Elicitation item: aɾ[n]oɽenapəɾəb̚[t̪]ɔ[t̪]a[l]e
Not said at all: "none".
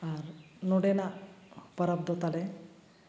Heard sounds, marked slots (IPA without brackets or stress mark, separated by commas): n, d̪, t̪, l